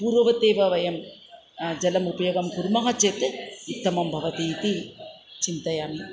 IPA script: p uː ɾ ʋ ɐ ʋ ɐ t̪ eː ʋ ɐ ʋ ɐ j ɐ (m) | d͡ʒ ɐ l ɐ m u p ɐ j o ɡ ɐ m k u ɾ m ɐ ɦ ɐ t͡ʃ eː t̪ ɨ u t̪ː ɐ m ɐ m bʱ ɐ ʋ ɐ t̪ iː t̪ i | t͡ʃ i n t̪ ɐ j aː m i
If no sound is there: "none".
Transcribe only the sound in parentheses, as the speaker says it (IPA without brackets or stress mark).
m